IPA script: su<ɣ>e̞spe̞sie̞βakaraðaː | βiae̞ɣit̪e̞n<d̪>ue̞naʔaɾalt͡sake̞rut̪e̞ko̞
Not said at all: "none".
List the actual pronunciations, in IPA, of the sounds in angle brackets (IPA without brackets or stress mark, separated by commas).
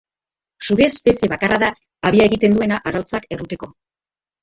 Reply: ɣ, d̪